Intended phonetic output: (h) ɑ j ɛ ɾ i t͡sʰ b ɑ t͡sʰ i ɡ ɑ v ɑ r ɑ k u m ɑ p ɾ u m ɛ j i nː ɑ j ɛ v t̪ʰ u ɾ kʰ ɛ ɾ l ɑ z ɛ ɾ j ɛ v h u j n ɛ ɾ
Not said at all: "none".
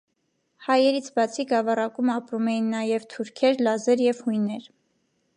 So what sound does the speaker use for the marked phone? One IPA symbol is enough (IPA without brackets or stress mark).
h